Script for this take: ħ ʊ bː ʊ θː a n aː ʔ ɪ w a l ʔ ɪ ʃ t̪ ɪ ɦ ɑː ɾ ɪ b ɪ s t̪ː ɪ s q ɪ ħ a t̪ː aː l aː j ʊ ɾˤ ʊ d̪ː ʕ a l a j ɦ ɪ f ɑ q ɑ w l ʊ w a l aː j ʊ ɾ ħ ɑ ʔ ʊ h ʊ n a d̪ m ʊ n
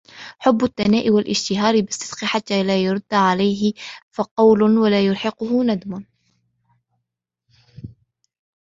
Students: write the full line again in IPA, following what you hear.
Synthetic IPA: ħ ʊ bː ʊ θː a n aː ʔ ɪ w a l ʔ ɪ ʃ t̪ ɪ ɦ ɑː ɾ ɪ b ɪ s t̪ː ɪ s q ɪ ħ a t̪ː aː l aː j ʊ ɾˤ ʊ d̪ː ʕ a l a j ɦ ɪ f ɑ q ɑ w l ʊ w a l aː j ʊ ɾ ħ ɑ q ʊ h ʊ n a d̪ m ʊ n